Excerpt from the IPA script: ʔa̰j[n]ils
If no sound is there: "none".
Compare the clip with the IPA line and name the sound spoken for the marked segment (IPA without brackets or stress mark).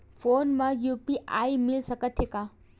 m